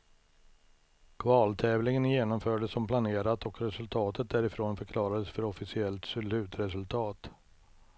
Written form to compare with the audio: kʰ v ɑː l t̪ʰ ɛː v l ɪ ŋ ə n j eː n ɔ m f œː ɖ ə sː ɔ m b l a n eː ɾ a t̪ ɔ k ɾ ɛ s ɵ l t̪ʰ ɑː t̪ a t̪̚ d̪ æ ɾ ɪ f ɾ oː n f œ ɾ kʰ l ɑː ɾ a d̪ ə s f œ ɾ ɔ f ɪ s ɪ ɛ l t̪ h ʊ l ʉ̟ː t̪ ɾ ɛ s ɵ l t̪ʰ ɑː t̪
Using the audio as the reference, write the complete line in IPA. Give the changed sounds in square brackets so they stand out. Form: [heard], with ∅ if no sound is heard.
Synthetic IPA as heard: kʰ v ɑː l t̪ʰ ɛː v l ɪ ŋ ə n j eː n ɔ m f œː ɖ ə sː ɔ m [p] l a n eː ɾ a t̪ ɔ k ɾ ɛ s ɵ l t̪ʰ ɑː t̪ [ə] t̪̚ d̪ æ ɾ ɪ f ɾ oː n f œ ɾ kʰ l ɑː ɾ a d̪ ə s f œ ɾ ɔ f ɪ s ɪ ɛ l t̪ [s] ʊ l ʉ̟ː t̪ ɾ ɛ s ɵ l t̪ʰ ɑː t̪